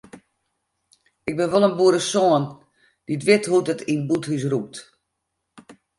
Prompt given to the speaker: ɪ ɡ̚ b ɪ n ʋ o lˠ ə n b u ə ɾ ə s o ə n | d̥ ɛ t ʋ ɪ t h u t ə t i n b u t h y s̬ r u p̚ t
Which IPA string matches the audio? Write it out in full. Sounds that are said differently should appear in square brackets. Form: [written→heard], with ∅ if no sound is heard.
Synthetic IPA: ɪ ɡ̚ b ɪ n ʋ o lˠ ə n b u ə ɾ ə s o ə n | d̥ [ɛ→i] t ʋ ɪ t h u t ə t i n b u t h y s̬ r u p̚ t

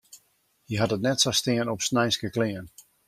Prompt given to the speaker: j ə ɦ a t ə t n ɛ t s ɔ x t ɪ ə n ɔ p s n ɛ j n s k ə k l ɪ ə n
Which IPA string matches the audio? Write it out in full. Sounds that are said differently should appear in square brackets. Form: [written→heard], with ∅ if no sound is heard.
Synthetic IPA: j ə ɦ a t ə t n ɛ t s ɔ [x→s] t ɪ ə n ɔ p s n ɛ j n s k ə k l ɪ ə n

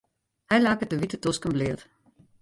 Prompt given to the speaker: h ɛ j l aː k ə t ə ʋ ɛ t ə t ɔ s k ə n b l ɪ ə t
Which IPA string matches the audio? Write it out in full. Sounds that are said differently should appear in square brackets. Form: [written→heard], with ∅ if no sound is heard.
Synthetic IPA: h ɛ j l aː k ə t ə ʋ [ɛ→i] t ə t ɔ s k ə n b l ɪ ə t

